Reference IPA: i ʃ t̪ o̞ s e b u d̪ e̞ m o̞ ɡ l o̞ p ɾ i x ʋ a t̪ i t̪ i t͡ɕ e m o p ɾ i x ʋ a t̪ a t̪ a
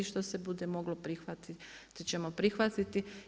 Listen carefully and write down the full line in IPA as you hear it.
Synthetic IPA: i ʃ t̪ o̞ s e b u d̪ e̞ m o̞ ɡ l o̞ p ɾ i x ʋ a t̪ i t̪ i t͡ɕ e m o p ɾ i x ʋ a t̪ i t̪ i